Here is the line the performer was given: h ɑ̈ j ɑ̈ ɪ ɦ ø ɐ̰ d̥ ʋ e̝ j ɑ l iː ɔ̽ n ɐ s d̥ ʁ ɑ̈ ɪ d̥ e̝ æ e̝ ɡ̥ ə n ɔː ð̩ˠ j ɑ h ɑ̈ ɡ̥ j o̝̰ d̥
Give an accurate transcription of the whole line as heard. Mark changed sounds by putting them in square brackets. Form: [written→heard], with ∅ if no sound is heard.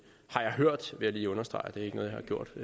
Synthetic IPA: h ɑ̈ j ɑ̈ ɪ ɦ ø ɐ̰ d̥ ʋ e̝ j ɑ l iː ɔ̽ n ɐ s d̥ ʁ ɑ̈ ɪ d̥ e̝ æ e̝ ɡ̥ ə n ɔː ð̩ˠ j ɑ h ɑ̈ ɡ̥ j o̝̰ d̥